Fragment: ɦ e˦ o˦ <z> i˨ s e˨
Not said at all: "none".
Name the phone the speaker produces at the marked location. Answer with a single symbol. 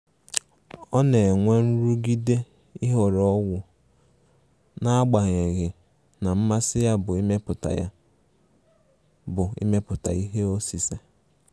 s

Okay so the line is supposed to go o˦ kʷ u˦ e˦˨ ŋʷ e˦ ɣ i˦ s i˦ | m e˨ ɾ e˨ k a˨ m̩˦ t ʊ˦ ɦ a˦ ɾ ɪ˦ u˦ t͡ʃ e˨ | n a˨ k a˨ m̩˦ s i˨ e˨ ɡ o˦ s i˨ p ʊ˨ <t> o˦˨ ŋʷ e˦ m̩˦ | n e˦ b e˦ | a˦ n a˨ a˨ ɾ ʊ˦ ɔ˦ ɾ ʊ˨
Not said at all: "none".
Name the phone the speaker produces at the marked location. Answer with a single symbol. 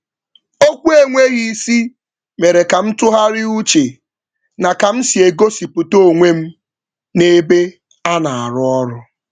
t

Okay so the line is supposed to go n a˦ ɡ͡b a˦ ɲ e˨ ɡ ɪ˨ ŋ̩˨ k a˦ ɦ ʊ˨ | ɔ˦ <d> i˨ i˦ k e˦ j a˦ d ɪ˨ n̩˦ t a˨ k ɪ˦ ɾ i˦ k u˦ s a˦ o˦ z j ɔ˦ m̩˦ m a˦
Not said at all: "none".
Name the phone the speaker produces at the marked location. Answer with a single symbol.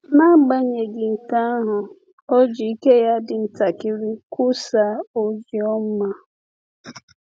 d͡ʒ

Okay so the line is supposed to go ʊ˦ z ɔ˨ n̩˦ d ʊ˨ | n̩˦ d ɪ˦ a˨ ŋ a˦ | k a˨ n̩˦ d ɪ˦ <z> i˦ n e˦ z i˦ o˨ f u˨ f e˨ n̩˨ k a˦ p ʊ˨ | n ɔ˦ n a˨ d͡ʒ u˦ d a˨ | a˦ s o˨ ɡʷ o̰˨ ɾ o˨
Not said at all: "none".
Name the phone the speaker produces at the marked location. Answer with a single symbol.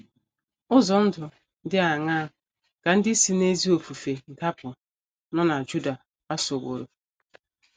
s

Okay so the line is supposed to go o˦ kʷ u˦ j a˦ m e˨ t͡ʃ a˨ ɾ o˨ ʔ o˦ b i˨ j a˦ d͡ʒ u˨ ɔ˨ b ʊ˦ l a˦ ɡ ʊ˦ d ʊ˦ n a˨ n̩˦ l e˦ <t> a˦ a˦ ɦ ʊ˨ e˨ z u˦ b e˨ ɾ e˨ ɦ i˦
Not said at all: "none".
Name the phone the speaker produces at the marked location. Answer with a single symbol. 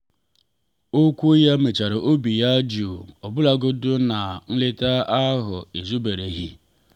t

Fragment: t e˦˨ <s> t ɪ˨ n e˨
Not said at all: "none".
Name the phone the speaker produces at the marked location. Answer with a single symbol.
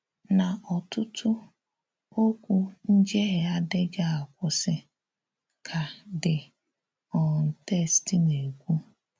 s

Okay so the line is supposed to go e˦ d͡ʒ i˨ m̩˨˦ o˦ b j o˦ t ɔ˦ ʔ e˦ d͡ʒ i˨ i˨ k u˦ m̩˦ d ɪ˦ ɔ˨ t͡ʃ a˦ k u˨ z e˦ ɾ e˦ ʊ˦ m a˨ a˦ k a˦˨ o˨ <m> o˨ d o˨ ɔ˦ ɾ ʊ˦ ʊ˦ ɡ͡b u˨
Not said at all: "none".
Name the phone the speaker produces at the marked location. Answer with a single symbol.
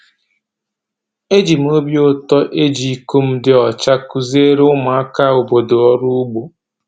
b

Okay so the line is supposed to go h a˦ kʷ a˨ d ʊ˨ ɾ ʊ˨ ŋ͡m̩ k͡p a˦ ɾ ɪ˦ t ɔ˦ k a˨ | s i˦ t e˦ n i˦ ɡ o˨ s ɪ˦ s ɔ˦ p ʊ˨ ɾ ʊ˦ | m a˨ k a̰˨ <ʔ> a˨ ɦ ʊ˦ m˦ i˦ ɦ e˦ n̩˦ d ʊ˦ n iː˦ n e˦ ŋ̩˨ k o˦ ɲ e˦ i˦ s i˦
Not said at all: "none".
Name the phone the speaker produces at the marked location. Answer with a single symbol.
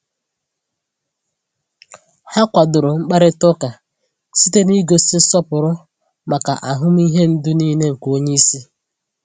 ʔ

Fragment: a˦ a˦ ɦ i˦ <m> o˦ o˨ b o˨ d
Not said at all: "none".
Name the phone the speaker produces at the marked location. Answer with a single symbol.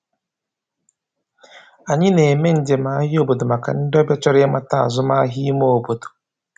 m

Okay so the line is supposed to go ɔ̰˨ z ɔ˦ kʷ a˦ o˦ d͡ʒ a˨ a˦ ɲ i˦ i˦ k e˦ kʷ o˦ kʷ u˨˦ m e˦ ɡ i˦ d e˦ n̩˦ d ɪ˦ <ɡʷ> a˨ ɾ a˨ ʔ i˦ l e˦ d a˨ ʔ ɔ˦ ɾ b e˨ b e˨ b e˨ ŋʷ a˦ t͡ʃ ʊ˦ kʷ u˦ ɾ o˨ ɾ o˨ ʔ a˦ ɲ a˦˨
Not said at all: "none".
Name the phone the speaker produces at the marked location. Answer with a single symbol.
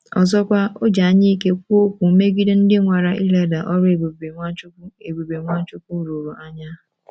ŋʷ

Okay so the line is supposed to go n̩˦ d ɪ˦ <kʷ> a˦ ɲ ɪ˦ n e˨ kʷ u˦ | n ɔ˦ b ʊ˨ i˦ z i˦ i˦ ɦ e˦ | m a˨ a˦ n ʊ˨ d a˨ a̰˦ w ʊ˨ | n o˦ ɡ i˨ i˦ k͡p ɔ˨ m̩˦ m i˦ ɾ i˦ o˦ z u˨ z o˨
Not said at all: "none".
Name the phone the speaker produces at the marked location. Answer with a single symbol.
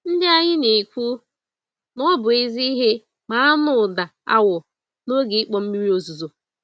none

